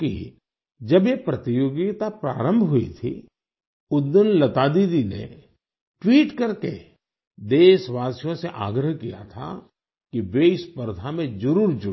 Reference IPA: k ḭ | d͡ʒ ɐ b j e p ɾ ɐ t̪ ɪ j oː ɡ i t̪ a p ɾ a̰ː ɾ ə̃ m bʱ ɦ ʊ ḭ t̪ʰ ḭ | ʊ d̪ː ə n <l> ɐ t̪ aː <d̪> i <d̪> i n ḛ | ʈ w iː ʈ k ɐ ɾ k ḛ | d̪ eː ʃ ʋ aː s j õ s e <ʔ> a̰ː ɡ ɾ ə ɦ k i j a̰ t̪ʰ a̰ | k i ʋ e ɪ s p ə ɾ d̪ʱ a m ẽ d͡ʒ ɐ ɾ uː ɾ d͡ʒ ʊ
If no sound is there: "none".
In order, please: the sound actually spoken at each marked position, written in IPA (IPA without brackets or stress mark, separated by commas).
l, d̪, d̪, ʔ